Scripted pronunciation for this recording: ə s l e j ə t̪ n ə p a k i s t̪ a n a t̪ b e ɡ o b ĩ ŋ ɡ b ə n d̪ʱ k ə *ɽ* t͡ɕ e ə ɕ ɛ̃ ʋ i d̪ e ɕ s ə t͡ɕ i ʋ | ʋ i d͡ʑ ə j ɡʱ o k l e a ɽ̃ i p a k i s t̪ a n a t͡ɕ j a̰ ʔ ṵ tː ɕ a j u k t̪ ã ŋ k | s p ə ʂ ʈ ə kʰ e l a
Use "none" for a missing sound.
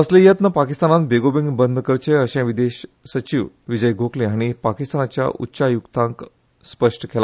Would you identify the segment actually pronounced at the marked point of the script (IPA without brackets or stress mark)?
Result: ɾ